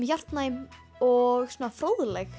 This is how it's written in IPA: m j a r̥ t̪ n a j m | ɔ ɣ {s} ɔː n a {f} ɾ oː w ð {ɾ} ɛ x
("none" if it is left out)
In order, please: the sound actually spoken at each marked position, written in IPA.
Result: s, f, l

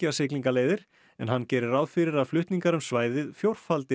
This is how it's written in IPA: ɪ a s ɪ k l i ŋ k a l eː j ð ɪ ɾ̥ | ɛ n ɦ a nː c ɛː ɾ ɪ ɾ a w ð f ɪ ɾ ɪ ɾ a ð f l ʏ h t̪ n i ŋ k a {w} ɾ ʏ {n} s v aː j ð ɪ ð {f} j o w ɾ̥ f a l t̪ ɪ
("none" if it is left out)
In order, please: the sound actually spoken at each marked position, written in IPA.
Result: none, m, f

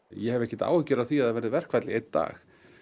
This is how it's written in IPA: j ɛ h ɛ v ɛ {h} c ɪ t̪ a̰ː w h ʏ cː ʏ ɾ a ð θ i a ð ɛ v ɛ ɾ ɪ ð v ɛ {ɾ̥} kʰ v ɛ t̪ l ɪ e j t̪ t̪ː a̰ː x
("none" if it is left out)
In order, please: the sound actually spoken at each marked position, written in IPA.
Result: h, r̥

